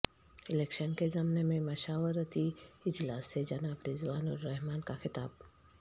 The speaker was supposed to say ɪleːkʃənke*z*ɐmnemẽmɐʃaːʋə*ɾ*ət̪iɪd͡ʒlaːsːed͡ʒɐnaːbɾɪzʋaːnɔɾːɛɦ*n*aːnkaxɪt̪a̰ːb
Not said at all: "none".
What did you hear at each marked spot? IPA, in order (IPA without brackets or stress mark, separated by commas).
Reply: z, ɾ, m